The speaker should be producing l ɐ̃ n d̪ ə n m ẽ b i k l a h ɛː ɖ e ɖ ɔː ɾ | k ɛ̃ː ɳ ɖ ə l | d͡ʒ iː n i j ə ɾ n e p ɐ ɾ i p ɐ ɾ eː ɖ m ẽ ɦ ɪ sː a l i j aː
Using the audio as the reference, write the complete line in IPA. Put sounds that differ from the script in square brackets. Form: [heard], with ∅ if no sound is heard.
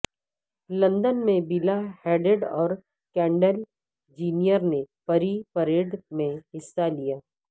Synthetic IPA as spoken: l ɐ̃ n d̪ ə n m ẽ b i [∅] l a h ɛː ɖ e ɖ ɔː ɾ | k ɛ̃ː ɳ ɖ ə l | d͡ʒ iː n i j ə ɾ n e p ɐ ɾ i p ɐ ɾ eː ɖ m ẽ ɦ ɪ sː a l i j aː